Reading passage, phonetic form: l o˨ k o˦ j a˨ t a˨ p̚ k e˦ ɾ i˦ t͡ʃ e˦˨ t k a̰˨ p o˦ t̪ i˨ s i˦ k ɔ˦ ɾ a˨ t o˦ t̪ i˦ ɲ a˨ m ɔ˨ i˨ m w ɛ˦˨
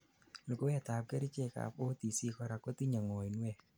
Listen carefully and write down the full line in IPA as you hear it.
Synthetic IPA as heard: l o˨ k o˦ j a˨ t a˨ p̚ k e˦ ɾ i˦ t͡ʃ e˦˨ k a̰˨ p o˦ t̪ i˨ s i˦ k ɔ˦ ɾ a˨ k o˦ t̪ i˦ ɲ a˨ ŋ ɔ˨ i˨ n w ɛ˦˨

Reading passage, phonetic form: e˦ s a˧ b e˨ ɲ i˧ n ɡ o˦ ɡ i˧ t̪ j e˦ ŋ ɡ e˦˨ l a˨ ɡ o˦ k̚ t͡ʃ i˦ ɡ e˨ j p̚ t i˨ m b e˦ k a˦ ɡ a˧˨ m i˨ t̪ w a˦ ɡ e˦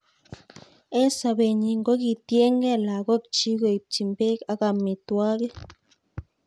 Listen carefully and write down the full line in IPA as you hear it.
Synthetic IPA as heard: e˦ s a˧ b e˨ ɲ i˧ ŋ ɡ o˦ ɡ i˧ t̪ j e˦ ŋ ɡ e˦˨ l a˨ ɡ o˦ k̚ t͡ʃ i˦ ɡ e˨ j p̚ t͡ʃ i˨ m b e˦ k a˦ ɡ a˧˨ m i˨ t̪ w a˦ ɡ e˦

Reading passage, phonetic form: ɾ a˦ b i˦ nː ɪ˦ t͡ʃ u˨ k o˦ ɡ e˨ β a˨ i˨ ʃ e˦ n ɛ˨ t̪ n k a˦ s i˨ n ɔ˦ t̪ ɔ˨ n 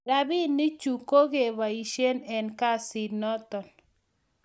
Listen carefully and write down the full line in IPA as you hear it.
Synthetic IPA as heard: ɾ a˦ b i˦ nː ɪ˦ t͡ʃ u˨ k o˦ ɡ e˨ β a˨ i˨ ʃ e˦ n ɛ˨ n k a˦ s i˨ n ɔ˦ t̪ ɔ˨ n

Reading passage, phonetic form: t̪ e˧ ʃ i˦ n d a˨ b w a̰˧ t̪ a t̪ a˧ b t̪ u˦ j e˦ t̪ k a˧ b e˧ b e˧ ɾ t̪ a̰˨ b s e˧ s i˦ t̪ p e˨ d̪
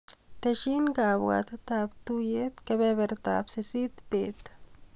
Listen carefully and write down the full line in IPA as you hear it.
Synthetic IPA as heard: t̪ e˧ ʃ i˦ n ɡ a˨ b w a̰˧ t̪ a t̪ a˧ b t̪ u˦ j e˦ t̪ k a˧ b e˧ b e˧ ɾ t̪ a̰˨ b s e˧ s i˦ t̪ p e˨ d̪

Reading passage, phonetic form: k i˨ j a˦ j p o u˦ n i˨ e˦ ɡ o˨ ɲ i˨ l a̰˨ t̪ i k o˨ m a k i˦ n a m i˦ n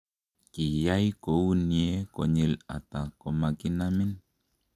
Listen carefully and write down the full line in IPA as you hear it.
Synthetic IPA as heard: k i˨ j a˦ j k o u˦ n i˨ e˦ k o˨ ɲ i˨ l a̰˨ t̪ a k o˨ m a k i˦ n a m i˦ n

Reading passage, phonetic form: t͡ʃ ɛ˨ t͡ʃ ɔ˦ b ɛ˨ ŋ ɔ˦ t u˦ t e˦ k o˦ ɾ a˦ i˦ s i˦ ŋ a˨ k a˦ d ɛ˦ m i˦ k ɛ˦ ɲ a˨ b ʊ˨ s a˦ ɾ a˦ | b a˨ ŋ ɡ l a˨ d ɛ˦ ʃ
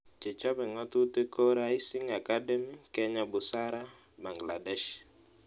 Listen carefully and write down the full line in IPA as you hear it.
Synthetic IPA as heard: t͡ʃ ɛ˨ t͡ʃ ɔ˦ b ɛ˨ ŋ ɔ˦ t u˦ t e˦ k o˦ ɾ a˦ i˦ s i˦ ŋ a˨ k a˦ d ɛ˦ m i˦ k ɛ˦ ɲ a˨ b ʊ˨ s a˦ ɾ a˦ | b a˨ ŋ ɡ l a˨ d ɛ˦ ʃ

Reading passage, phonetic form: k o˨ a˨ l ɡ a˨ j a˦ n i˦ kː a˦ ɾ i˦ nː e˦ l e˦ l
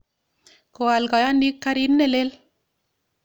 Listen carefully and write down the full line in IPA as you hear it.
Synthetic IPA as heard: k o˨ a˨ l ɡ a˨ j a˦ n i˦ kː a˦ ɾ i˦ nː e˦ l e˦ l

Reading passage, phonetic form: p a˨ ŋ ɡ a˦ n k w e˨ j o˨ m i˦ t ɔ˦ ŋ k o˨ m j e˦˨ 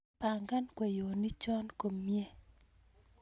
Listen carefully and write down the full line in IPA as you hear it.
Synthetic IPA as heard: p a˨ ŋ ɡ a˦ n k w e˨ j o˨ n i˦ t͡ʃ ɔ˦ n k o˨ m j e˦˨

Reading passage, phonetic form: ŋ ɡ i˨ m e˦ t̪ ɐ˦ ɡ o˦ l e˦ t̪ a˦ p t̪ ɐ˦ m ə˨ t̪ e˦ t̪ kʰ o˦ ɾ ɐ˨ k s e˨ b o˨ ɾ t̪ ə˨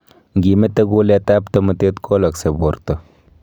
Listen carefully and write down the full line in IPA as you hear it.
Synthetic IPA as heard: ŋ ɡ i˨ m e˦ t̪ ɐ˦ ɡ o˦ l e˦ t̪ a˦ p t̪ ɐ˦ m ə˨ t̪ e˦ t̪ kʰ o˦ l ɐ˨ k s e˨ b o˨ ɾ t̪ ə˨

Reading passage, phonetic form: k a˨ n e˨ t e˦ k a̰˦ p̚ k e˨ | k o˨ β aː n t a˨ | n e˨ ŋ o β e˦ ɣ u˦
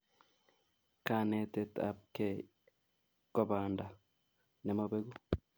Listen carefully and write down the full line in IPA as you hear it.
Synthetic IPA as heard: k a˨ n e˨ t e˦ t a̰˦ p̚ k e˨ | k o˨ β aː n d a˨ | n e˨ m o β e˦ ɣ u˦

